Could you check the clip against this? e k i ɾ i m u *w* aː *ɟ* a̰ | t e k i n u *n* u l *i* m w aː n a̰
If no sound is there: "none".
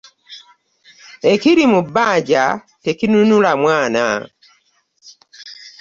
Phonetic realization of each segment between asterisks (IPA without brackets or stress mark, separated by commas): b, ɟ, n, a